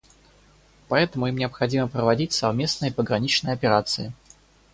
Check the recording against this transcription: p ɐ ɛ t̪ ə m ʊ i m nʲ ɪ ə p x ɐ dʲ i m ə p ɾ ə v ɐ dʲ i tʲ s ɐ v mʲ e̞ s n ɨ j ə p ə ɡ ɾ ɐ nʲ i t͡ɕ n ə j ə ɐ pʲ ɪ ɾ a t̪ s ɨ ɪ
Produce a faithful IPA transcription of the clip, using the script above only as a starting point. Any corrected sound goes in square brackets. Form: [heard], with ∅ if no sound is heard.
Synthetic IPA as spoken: p ɐ ɛ t̪ ə m ʊ i m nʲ ɪ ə p x ɐ dʲ i m ə p ɾ ə v ɐ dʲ i tʲ s ɐ v mʲ e̞ s n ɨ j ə p ə ɡ ɾ ɐ nʲ i t͡ɕ n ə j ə ɐ pʲ ɪ ɾ a t̪ s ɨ ɪ